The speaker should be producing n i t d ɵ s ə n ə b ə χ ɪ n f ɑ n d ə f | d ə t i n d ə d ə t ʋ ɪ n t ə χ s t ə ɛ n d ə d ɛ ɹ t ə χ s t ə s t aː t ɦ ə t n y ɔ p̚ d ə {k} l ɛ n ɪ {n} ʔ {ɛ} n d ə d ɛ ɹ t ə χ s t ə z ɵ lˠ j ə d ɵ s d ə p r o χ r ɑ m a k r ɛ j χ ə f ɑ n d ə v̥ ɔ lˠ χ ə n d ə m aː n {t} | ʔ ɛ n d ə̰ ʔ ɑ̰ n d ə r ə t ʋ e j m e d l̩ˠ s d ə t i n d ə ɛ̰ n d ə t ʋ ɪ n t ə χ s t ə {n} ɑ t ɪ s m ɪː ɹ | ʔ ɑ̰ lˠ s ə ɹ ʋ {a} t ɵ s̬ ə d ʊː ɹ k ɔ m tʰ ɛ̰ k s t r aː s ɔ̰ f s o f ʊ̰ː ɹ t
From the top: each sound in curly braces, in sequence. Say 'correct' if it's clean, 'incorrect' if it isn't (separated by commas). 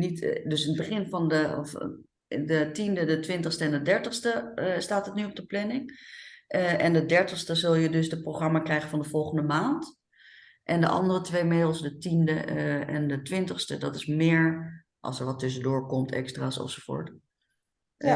incorrect, incorrect, correct, correct, incorrect, incorrect